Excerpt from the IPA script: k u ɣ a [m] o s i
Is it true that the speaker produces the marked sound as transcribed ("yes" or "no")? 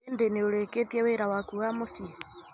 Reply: yes